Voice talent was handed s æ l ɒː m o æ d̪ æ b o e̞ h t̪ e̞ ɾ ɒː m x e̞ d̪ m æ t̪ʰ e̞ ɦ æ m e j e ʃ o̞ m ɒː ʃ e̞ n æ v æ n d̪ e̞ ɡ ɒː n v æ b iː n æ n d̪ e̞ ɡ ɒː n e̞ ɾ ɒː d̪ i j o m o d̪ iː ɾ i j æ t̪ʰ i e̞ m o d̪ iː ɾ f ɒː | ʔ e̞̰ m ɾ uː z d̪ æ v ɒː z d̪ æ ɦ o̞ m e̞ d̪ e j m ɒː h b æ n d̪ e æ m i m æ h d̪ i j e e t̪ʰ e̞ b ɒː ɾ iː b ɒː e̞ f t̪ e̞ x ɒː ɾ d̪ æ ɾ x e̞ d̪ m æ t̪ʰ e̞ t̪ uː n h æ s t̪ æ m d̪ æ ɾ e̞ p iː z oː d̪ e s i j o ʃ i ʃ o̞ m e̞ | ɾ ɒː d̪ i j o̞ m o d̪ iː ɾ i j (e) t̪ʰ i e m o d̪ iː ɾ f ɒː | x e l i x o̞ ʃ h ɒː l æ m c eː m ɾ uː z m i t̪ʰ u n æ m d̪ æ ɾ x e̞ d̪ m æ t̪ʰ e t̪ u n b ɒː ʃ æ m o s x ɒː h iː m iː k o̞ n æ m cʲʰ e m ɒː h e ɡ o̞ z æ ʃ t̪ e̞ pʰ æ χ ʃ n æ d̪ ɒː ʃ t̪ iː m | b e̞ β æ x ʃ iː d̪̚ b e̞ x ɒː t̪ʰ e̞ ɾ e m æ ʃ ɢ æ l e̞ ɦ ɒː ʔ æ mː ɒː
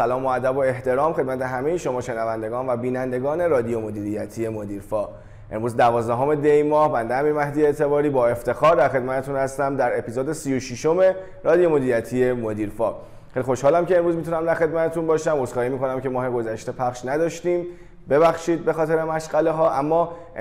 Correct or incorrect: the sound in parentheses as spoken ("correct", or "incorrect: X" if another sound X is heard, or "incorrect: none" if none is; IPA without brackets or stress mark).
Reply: incorrect: æ